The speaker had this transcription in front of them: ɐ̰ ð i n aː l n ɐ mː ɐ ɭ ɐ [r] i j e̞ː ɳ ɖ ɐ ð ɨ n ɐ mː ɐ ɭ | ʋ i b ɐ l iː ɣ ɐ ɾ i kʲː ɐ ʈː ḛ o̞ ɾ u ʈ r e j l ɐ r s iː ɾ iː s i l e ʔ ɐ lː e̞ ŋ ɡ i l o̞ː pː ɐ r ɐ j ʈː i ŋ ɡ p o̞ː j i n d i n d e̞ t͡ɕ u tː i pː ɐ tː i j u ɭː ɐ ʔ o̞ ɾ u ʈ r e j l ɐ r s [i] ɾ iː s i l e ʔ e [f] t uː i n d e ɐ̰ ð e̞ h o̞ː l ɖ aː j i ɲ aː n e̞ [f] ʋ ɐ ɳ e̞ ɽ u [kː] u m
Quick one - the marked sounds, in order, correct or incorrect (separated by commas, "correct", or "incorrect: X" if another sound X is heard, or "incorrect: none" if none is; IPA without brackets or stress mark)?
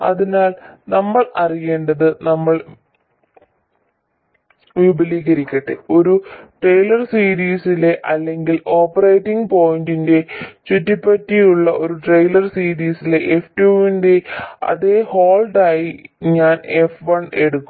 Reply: correct, incorrect: iː, correct, correct, correct